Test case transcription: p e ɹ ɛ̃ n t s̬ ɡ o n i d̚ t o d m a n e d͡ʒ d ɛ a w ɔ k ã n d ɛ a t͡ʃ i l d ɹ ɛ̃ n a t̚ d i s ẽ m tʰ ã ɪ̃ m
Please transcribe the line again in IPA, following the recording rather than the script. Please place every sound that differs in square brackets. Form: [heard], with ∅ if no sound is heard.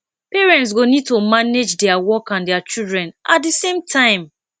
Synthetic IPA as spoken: p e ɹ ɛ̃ n t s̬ ɡ o n i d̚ t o [∅] m a n e d͡ʒ d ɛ a w ɔ k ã n d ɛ a t͡ʃ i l d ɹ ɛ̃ n a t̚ d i s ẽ m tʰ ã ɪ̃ m